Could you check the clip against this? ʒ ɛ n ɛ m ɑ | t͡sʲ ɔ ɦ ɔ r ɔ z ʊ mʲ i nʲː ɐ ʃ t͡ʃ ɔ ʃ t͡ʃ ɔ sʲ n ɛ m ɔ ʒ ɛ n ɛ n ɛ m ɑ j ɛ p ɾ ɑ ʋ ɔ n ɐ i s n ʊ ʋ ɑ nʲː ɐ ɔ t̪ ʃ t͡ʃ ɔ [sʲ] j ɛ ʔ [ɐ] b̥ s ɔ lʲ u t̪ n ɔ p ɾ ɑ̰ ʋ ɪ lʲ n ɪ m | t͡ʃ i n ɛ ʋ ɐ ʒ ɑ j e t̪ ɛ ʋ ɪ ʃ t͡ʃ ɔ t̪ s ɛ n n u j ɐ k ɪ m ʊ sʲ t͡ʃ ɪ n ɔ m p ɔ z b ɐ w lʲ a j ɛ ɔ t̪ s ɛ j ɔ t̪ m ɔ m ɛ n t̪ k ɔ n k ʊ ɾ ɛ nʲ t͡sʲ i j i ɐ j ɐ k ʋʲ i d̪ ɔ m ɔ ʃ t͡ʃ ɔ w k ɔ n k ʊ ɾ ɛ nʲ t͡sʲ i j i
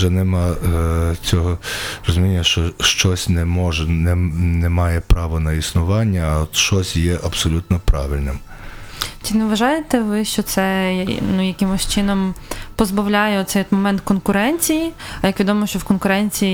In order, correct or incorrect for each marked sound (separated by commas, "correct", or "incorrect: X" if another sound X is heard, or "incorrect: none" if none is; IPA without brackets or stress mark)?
correct, correct